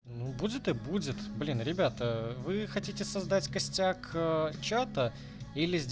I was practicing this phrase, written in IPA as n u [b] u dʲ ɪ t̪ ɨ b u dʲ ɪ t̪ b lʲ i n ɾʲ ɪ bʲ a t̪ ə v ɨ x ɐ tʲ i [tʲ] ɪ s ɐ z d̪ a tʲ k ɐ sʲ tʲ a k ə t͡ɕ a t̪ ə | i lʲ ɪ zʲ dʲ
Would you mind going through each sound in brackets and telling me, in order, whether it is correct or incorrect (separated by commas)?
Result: correct, correct